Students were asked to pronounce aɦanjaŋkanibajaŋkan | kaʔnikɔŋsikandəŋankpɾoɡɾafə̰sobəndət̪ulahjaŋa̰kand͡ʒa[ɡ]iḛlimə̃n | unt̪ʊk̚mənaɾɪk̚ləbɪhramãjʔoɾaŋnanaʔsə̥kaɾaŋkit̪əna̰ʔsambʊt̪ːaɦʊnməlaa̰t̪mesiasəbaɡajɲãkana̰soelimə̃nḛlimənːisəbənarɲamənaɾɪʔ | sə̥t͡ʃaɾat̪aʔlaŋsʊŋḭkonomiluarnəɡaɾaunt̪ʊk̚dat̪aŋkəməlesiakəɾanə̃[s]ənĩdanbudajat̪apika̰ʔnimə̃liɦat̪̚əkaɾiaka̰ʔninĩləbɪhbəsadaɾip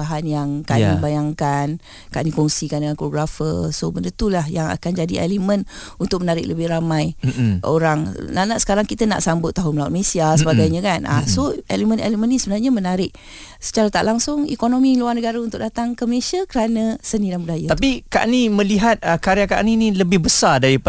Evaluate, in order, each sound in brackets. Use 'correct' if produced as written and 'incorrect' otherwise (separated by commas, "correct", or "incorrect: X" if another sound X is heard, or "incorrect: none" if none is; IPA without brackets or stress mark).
incorrect: d, correct